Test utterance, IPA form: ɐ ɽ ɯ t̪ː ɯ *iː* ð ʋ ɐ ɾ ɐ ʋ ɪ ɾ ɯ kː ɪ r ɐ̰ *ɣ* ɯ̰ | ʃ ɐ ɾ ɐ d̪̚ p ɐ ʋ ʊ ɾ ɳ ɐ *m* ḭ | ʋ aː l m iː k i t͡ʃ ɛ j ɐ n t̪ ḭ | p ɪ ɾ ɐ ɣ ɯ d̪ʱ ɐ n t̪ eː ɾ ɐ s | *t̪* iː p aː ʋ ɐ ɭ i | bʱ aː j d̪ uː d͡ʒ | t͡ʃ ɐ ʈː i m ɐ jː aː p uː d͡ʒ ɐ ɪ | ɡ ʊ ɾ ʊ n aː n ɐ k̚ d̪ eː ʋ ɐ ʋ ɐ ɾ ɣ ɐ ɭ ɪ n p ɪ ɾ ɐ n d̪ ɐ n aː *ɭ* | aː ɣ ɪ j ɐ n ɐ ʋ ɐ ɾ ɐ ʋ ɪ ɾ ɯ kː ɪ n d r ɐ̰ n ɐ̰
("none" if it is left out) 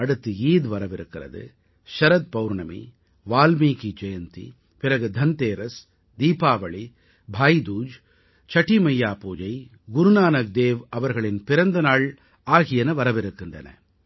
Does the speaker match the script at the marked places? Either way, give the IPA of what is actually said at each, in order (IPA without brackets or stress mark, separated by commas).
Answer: iː, ð, m, d̪, ɭ